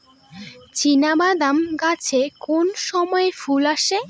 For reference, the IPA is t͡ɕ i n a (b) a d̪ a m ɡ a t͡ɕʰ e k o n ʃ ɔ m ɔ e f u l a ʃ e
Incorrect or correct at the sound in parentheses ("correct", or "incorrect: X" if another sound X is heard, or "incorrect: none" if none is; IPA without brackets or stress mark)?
correct